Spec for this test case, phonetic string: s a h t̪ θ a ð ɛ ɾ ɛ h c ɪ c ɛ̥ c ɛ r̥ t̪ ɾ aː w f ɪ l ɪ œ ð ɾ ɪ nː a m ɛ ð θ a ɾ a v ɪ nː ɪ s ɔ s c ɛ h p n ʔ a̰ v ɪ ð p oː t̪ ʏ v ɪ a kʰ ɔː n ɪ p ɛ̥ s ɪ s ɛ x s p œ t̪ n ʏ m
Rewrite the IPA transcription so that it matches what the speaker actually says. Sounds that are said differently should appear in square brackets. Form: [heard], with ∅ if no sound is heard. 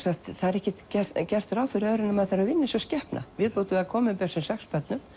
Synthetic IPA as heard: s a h t̪ θ a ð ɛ ɾ ɛ h c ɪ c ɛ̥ c ɛ r̥ t̪ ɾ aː w f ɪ [ɾ] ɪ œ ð ɾ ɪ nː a m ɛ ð θ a ɾ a v ɪ nː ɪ s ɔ s c ɛ h p n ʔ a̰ v ɪ ð p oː t̪ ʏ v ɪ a kʰ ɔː [m] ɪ p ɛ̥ s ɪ s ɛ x s p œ t̪ n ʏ m